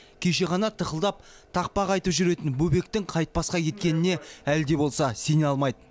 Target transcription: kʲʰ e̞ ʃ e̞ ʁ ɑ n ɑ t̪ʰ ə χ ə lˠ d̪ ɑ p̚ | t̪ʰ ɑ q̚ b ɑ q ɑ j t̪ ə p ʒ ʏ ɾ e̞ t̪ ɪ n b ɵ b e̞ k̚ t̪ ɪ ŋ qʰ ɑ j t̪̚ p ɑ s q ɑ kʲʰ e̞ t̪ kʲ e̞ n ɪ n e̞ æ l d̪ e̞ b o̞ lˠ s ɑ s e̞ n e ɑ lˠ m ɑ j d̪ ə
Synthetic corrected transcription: kʲʰ e̞ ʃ e̞ ʁ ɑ n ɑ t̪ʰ ə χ ə lˠ d̪ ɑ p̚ | t̪ʰ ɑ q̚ p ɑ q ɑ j t̪ ə p ʒ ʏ ɾ e̞ t̪ ɪ n b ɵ b e̞ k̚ t̪ ɪ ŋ qʰ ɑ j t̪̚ p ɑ s q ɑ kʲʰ e̞ t̪ kʲ e̞ n ɪ n e̞ æ l d̪ e̞ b o̞ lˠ s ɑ s e̞ n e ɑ lˠ m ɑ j d̪ ə